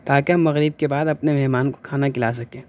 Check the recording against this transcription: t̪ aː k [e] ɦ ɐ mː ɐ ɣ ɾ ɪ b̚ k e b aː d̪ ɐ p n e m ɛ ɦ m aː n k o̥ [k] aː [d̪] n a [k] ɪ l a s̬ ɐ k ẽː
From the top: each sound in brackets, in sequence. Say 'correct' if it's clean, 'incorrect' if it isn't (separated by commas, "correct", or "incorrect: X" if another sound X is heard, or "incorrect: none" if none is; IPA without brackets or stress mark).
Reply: correct, incorrect: kʰ, incorrect: none, correct